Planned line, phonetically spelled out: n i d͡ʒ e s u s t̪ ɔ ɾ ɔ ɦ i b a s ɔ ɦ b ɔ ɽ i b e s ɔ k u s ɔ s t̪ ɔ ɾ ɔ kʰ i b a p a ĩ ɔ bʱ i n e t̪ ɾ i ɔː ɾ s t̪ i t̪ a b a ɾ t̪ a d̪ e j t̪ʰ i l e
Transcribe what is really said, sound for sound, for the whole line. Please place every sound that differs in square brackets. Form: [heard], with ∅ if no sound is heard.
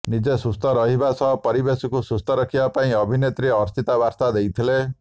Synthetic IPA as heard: n i d͡ʒ e s u s t̪ ɔ ɾ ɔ ɦ i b a s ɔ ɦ [p] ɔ [ɾ] i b e s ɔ k u s [u] s t̪ ɔ ɾ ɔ kʰ i b a p a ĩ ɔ bʱ i n e t̪ ɾ i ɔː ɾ s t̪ i t̪ a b a ɾ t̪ a d̪ e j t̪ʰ i l e